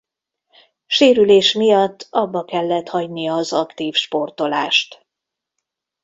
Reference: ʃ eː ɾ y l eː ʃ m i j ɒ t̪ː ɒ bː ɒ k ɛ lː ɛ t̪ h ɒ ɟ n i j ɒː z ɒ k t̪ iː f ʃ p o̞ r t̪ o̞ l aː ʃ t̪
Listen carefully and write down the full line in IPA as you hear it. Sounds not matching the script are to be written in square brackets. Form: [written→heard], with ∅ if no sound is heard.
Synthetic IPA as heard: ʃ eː ɾ y l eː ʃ m i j ɒ t̪ː ɒ bː ɒ k ɛ lː ɛ t̪ h ɒ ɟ n i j ɒː z ɒ k t̪ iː f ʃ p o̞ r t̪ o̞ l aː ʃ t̪